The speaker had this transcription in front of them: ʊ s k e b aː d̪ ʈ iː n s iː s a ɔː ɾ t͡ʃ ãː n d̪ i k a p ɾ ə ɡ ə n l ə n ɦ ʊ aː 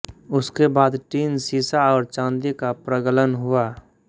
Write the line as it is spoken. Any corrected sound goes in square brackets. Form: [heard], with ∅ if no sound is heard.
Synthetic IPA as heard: ʊ s k e b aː d̪ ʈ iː n s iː s a ɔː ɾ t͡ʃ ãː n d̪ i k a p ɾ ə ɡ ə [∅] l ə n ɦ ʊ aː